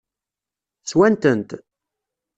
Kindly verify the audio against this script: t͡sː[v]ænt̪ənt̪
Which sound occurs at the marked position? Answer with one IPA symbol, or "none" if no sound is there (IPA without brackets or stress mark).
w